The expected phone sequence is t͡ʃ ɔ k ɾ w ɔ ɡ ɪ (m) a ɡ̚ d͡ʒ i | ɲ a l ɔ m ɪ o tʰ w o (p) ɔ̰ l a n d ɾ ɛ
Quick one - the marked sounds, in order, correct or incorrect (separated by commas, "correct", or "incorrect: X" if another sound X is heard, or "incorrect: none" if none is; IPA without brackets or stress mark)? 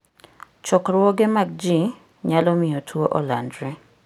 correct, incorrect: ʔ